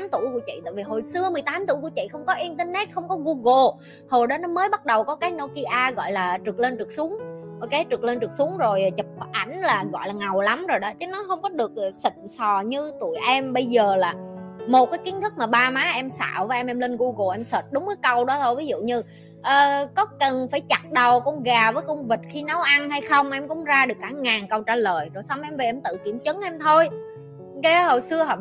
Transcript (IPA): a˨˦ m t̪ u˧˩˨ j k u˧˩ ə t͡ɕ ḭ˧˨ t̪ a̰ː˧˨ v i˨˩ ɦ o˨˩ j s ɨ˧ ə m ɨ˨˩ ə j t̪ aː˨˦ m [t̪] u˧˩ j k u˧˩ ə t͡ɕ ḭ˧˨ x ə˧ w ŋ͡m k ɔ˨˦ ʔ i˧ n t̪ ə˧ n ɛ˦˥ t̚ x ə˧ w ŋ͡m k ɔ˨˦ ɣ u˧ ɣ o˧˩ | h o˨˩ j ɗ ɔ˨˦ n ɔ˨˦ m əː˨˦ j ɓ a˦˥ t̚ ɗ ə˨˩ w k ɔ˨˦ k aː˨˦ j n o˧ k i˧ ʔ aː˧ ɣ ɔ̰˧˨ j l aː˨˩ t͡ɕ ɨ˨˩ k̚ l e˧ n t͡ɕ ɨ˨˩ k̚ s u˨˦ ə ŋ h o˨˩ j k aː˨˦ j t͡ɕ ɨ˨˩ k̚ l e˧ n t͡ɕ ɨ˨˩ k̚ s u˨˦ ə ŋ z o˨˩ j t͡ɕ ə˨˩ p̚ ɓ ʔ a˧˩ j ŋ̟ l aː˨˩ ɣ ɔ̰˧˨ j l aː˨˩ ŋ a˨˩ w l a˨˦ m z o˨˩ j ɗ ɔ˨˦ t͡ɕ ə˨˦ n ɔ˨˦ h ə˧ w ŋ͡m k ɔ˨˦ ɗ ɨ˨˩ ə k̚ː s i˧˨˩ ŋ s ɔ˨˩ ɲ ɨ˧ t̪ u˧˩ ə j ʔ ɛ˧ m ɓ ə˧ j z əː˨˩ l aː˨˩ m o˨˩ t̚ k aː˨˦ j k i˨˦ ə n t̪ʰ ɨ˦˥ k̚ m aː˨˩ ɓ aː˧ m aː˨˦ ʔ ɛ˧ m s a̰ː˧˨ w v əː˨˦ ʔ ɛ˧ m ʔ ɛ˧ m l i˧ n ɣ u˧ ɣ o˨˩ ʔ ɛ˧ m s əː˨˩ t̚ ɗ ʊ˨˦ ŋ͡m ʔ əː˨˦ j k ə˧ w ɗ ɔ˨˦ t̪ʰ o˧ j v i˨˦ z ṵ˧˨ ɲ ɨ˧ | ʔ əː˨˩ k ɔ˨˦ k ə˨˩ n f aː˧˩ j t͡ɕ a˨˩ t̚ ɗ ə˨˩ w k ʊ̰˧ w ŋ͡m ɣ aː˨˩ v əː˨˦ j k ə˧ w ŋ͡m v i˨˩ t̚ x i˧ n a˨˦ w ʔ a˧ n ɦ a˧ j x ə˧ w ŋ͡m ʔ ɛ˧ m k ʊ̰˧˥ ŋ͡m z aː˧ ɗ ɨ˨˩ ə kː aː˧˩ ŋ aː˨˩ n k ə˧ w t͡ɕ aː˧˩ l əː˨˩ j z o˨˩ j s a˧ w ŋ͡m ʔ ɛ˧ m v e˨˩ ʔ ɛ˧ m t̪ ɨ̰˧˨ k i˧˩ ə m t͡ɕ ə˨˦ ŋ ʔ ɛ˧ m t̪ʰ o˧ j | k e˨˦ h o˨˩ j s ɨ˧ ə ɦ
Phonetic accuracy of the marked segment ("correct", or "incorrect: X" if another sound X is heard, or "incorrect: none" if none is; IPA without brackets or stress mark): correct